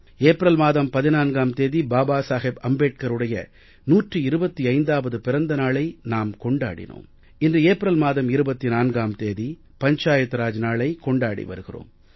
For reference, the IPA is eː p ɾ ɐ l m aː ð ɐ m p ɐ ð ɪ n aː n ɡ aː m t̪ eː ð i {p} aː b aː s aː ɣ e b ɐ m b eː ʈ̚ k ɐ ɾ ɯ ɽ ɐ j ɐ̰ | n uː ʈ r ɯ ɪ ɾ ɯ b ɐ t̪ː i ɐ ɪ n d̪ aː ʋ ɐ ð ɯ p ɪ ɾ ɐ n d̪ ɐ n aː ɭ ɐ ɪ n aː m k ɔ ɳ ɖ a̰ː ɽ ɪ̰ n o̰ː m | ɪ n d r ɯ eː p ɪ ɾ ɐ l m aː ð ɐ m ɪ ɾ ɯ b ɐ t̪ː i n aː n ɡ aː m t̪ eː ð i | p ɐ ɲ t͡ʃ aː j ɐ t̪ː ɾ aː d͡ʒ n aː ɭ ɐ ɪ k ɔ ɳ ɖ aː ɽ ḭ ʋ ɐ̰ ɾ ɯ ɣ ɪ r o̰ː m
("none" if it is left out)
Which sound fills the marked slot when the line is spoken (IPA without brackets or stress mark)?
b